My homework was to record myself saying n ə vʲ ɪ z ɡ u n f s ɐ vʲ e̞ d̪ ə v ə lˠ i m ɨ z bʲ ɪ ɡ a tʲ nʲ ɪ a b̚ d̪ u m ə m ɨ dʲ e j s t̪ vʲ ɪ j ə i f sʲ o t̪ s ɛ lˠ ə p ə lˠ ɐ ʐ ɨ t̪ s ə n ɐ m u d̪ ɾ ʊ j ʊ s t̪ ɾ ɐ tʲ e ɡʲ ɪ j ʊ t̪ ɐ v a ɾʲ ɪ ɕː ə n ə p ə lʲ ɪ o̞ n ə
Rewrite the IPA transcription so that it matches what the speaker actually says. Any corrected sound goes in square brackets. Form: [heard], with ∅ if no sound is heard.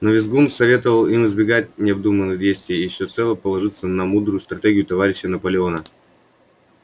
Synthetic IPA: n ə vʲ ɪ z ɡ u n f s ɐ vʲ e̞ [t̪] ə v ə lˠ i m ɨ z bʲ ɪ ɡ a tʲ nʲ ɪ [ɐ] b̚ d̪ u m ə [n] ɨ dʲ e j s t̪ vʲ ɪ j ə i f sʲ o t̪ s ɛ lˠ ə p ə lˠ ɐ ʐ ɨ t̪ s ə n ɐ m u d̪ ɾ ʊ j ʊ s t̪ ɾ ɐ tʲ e ɡʲ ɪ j ʊ t̪ ɐ v a ɾʲ ɪ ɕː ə n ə p ə lʲ ɪ o̞ n ə